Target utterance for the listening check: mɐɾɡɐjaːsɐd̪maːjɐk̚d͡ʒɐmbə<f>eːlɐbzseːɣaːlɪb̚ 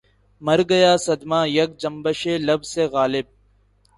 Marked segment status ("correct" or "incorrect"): incorrect